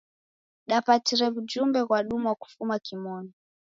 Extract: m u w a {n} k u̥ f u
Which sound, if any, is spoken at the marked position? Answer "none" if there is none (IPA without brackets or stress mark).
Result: none